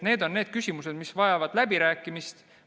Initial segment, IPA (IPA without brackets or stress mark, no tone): n